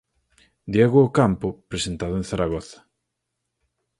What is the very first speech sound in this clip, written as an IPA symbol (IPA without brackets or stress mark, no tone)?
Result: d̪